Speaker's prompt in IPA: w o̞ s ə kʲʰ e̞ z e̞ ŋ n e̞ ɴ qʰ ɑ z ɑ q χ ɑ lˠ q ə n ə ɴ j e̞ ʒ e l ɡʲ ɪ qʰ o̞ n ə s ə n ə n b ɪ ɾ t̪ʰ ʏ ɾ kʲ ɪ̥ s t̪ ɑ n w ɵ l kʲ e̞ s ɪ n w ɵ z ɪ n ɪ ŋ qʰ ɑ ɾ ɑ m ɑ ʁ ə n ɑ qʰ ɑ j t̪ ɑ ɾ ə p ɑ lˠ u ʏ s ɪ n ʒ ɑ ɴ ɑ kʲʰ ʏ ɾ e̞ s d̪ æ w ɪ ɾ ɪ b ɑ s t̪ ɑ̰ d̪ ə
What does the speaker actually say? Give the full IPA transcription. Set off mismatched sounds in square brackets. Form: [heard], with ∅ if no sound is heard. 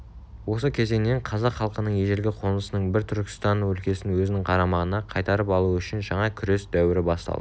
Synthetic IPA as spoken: w o̞ s ə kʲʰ e̞ z e̞ ŋ n e̞ ɴ qʰ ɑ z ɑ q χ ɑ lˠ q ə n ə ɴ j e̞ ʒ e l ɡʲ ɪ qʰ o̞ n ə s ə n ə [ɴ] b ɪ ɾ t̪ʰ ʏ ɾ kʲ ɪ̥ s t̪ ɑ n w ɵ l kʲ e̞ s ɪ n w ɵ z ɪ n ɪ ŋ qʰ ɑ ɾ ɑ m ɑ ʁ ə n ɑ qʰ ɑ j t̪ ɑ ɾ ə p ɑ lˠ u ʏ [ʃ] ɪ n ʒ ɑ ɴ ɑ kʲʰ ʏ ɾ e̞ s d̪ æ w ɪ ɾ ɪ b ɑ s t̪ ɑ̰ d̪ ə

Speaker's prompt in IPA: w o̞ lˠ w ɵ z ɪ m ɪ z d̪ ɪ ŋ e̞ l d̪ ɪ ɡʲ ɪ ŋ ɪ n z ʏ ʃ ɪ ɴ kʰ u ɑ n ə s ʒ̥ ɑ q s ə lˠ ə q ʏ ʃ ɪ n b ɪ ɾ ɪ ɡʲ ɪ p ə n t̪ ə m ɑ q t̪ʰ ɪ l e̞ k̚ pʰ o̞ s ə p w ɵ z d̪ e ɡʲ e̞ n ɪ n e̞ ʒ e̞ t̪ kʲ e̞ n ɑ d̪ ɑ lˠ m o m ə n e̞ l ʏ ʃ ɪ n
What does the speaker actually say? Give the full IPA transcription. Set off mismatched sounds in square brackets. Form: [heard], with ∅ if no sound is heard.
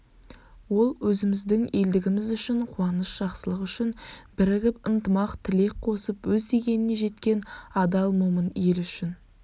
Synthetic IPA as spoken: w o̞ lˠ w ɵ z ɪ m ɪ z d̪ ɪ ŋ e̞ l d̪ ɪ ɡʲ ɪ [m] ɪ [∅] z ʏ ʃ ɪ ɴ [qʰ] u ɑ n ə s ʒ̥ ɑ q s ə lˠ ə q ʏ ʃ ɪ n b ɪ ɾ ɪ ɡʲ ɪ p ə n t̪ ə m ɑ q t̪ʰ ɪ l e̞ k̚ [qʰ] o̞ s ə p w ɵ z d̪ e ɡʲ e̞ n ɪ n e̞ ʒ e̞ t̪ kʲ e̞ n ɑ d̪ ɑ lˠ m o m ə n e̞ l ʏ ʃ ɪ n

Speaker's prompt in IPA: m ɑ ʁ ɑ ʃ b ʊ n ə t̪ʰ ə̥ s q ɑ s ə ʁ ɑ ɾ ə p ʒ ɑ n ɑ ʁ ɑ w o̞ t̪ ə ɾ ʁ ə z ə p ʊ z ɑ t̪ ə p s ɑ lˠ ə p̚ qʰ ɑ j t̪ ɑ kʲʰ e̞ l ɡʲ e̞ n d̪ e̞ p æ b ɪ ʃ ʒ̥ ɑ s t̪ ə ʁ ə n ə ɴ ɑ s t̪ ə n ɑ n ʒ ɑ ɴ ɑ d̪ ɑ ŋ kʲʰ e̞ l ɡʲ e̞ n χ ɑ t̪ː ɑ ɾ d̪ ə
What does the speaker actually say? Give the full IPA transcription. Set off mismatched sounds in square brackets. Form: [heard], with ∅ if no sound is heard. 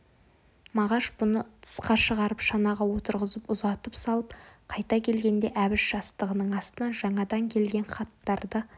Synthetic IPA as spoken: m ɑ ʁ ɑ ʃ b ʊ n ə t̪ʰ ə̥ s q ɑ [ʃ] ə ʁ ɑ ɾ ə p [ʃ] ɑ n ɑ ʁ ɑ w o̞ t̪ ə ɾ ʁ ə z ə p ʊ z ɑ t̪ ə p s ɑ lˠ ə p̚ qʰ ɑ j t̪ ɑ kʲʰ e̞ l ɡʲ e̞ n d̪ e̞ [ʔ] æ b ɪ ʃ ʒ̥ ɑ s t̪ ə ʁ ə n ə ɴ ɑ s t̪ ə n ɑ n ʒ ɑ ɴ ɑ d̪ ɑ ŋ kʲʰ e̞ l ɡʲ e̞ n χ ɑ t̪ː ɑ ɾ d̪ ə

